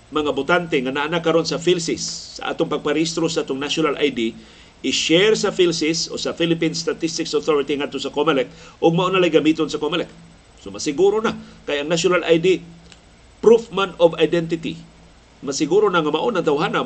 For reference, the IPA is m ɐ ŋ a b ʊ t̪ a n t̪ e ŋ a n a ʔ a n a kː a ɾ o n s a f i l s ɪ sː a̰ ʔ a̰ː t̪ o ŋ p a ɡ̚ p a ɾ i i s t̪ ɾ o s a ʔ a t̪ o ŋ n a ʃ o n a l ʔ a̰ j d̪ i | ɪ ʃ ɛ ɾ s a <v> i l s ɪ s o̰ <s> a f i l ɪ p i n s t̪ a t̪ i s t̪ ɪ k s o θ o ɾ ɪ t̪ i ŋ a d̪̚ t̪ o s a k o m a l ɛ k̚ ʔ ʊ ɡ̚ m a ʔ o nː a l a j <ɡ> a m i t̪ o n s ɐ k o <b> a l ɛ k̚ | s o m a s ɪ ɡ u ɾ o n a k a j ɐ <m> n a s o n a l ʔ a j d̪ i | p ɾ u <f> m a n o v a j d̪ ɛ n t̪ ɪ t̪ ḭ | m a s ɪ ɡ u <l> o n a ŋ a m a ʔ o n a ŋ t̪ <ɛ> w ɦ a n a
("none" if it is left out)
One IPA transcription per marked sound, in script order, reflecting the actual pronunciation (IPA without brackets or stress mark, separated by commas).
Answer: f, s, ɡ, m, ŋ, f, ɾ, a